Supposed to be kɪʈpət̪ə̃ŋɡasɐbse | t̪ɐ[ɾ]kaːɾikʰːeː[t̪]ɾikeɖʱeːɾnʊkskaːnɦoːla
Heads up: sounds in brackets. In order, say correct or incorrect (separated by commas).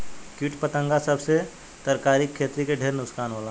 correct, correct